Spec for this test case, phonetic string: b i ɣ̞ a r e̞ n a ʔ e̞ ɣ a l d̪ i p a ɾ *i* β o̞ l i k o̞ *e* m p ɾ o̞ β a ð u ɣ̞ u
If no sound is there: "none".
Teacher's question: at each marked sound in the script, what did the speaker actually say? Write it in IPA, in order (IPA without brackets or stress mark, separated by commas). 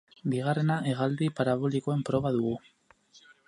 a, e